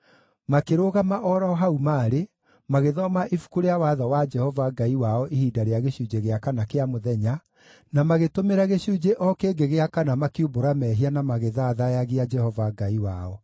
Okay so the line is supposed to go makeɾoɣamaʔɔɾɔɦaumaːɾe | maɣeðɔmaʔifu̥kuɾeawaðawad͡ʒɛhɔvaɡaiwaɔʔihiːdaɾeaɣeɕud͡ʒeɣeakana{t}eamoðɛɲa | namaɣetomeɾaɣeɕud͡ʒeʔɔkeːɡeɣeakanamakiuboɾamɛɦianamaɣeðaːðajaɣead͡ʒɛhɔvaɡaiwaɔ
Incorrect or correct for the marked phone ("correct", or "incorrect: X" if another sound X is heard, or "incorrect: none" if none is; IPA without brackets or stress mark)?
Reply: incorrect: k